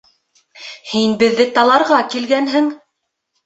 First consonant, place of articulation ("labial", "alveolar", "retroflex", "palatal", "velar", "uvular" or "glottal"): glottal